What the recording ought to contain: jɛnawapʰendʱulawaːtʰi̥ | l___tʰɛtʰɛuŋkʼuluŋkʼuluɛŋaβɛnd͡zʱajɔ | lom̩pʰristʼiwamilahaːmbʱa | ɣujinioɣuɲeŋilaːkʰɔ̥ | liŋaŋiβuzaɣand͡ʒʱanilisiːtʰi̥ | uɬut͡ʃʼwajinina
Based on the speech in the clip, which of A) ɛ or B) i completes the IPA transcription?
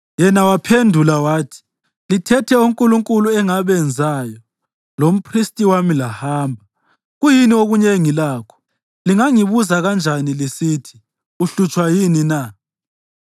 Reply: B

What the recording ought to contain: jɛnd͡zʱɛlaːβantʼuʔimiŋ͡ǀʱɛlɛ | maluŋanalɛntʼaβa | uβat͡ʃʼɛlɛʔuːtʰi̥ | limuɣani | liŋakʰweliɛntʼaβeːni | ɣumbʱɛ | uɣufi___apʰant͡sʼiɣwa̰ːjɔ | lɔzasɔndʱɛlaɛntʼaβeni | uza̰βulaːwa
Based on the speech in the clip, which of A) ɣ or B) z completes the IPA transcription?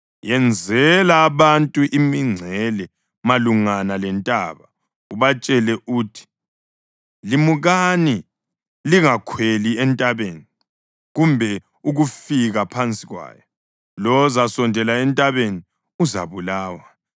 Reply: A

